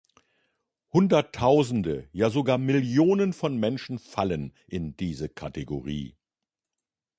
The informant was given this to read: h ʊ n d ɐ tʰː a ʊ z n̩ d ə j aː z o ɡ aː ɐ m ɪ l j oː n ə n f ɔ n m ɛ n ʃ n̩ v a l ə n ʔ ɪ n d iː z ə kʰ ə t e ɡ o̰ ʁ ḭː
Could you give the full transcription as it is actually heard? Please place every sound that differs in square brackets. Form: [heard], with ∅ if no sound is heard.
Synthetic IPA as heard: h ʊ n d ɐ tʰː a ʊ z n̩ d ə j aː z o ɡ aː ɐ m ɪ l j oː n ə n f ɔ n m ɛ n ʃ n̩ [f] a l ə n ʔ ɪ n d iː z ə kʰ [a] t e ɡ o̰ ʁ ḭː